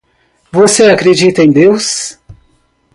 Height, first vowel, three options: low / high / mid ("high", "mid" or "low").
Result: mid